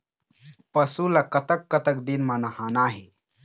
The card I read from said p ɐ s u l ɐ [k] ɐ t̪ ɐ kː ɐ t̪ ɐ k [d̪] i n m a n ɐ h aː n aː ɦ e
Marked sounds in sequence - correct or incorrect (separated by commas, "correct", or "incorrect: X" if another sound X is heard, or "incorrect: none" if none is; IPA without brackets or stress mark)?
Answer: correct, correct